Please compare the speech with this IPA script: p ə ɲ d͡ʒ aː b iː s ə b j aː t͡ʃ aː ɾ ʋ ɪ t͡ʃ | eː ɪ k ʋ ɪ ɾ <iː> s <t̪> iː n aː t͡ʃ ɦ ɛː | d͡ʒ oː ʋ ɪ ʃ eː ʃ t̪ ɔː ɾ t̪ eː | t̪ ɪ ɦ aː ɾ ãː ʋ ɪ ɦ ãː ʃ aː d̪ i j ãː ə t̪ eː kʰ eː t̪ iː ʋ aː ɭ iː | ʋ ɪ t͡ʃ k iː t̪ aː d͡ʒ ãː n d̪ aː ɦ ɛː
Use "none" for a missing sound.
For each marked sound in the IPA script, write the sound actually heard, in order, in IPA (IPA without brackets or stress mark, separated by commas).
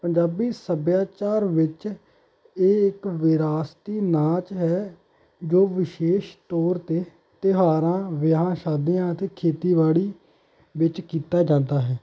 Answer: aː, t̪